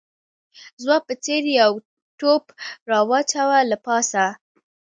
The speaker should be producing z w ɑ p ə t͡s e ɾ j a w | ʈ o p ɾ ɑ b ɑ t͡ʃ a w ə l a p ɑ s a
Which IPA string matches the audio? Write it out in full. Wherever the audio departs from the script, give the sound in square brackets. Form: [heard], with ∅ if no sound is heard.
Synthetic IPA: z w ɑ p ə t͡s e ɾ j a w | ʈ o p ɾ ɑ [w] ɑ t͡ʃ a w [a] l a p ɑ s a